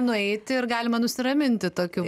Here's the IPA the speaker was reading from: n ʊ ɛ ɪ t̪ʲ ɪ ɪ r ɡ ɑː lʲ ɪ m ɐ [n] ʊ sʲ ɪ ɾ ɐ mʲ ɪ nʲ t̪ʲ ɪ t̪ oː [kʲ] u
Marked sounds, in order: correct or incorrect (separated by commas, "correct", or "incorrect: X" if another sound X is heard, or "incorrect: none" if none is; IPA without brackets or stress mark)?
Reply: correct, correct